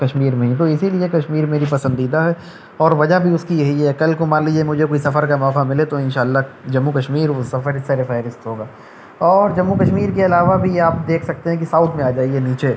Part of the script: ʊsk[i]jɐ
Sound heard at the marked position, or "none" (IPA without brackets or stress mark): i